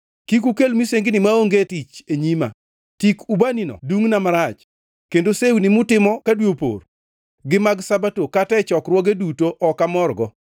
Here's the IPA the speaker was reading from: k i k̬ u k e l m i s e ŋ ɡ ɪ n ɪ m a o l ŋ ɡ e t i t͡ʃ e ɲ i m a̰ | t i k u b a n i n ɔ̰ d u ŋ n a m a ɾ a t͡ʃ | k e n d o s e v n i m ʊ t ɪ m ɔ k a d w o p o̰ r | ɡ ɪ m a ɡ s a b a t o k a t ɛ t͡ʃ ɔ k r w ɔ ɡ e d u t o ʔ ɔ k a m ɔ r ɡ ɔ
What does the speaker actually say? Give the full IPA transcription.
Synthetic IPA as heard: k i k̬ u k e l m i s e ŋ ɡ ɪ n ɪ m a o ŋ ɡ e t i t͡ʃ e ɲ i m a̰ | t i k u b a n i n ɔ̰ d u ŋ n a m a ɾ a t͡ʃ | k e n d o s e w n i m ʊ t ɪ m ɔ k a d w o p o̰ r | ɡ ɪ m a ɡ s a b a t o k a t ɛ t͡ʃ ɔ k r w ɔ ɡ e d u t o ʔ ɔ k a m ɔ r ɡ ɔ